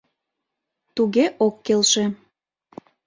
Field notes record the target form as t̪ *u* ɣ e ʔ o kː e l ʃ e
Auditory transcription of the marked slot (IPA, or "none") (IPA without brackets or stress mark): u